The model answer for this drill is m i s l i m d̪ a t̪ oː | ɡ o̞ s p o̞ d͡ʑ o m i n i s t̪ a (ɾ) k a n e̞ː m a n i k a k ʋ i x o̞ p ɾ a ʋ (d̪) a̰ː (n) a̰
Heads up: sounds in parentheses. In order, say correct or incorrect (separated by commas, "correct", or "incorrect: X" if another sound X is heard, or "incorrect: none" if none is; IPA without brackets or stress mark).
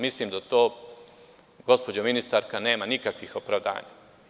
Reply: correct, correct, incorrect: ɲ